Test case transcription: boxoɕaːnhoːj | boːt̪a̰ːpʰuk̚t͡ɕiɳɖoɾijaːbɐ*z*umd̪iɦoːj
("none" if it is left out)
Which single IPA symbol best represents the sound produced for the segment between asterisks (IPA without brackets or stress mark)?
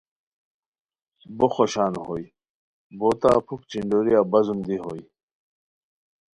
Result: z